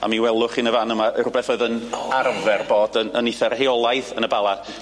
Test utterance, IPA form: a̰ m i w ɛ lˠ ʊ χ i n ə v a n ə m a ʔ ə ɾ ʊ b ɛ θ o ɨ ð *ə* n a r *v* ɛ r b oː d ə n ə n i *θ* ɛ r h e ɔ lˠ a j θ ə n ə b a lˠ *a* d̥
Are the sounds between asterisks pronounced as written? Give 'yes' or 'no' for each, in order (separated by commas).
yes, yes, yes, yes